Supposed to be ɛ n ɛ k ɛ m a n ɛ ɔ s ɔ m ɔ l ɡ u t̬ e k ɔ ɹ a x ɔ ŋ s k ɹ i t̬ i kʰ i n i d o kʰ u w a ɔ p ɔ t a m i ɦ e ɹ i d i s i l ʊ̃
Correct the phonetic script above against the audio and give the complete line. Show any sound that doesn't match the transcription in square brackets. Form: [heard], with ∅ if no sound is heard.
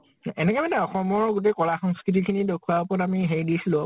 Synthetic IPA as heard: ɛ n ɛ k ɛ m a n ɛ ɔ [x] ɔ m ɔ [ɹ] ɡ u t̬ e k ɔ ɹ a x ɔ ŋ s k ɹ i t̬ i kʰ i n i d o kʰ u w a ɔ p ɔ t a m i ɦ e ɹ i d i s i l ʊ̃